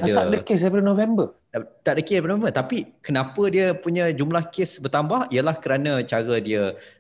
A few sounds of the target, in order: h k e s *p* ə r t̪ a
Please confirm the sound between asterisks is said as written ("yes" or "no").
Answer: no